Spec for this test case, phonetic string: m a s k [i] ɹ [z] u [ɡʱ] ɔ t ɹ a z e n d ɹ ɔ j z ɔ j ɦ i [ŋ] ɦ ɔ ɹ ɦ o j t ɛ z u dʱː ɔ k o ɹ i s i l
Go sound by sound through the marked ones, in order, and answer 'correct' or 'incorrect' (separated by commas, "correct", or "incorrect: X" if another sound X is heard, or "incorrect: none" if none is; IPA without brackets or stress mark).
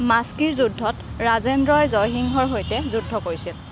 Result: correct, correct, incorrect: dʱ, correct